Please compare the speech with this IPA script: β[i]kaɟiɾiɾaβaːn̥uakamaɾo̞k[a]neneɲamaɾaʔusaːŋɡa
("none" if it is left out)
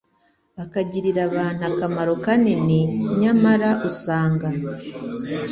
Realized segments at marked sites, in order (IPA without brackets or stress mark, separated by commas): a, a